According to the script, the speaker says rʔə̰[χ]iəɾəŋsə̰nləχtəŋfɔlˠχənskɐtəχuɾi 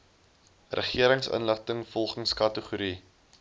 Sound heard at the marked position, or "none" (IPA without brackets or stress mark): χ